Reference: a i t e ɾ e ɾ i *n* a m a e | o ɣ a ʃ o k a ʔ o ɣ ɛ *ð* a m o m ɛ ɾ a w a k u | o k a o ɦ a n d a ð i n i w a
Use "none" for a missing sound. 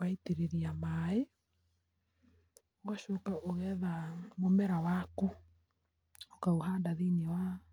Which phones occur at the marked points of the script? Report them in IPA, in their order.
none, ð

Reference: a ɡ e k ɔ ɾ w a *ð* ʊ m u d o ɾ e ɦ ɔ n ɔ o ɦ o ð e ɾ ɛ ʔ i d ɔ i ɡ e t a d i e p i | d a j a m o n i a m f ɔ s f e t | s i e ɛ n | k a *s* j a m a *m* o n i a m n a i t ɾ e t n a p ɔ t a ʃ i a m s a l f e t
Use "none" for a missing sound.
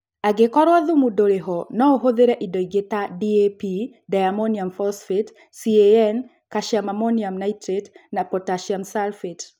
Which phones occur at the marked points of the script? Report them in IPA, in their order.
ð, ʃ, m

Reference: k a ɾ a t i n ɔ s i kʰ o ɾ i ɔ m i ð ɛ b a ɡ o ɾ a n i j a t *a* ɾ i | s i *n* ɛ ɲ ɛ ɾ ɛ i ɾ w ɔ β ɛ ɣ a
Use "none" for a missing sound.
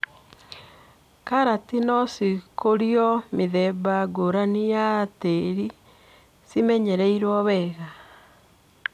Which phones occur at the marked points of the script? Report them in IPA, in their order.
e, m

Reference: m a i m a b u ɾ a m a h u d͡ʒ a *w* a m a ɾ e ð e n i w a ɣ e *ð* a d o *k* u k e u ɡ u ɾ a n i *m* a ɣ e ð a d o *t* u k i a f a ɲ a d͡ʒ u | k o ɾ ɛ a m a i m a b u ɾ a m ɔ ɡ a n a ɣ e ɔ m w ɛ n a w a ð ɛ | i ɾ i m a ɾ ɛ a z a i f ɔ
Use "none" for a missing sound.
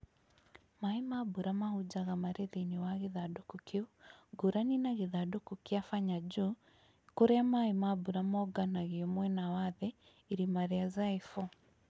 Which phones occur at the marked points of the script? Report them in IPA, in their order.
ɣ, ð, k, n, k

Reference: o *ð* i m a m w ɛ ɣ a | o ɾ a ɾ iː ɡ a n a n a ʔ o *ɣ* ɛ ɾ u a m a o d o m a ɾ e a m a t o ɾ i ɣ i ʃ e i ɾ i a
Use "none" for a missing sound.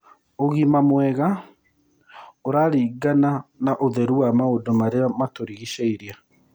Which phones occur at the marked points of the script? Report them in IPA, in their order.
ɣ, ð

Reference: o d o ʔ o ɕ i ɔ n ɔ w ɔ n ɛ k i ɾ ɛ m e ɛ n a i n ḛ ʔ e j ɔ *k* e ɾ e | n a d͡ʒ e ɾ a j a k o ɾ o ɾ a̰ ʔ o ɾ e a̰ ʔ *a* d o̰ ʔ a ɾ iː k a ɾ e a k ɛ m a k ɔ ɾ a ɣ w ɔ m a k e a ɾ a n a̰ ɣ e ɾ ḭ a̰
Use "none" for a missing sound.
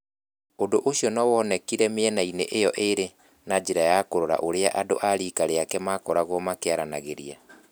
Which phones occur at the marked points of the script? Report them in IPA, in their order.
ʔ, a

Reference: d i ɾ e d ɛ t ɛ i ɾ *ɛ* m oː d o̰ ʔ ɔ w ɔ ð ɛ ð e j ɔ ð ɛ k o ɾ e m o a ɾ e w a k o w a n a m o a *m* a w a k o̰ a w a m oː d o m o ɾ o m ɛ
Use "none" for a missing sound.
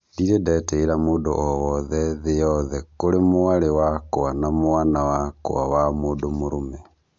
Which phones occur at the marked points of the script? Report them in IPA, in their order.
a, n

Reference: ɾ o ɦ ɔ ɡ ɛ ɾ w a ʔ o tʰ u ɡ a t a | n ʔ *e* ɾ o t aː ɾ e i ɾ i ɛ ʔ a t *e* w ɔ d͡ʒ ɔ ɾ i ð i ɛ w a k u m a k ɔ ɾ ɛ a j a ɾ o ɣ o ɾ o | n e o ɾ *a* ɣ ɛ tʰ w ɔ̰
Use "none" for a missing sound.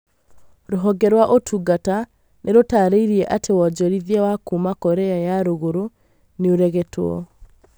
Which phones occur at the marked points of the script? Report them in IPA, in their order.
e, e, ɛ

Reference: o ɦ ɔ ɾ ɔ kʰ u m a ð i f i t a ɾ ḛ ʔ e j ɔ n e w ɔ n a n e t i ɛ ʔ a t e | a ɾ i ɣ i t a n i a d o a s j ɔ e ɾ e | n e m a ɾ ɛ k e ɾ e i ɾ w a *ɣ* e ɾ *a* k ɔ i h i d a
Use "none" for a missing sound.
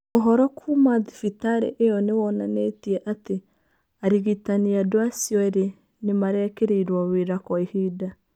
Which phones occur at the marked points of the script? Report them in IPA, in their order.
w, a

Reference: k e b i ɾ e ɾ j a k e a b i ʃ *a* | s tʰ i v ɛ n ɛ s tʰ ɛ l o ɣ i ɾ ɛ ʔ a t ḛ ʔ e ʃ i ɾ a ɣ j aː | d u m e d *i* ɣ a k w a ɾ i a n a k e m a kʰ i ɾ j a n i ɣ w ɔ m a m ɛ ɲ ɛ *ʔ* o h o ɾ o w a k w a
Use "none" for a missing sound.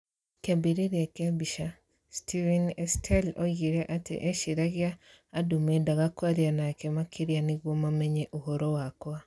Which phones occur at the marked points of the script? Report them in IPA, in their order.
a, a, ʔ

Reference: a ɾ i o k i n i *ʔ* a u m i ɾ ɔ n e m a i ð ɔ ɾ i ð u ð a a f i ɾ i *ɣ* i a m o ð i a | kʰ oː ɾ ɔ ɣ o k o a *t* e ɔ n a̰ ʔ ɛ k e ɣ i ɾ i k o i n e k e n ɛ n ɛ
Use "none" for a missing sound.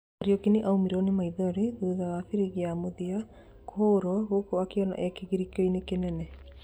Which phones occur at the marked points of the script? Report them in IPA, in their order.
ʔ, ɣ, k

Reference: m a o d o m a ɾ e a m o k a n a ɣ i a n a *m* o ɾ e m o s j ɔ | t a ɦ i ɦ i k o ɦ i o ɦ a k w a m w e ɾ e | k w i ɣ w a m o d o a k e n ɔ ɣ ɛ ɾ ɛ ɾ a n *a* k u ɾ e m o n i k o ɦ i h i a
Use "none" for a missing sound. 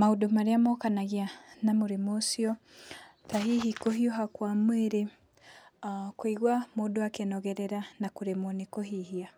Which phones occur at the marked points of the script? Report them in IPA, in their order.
m, a

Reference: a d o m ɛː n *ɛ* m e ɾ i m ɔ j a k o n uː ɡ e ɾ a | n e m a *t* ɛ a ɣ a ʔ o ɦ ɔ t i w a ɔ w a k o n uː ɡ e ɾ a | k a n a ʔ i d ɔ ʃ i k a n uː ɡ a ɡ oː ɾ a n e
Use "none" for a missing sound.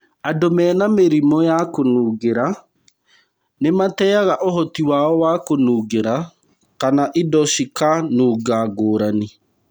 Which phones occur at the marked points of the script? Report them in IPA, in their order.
a, t

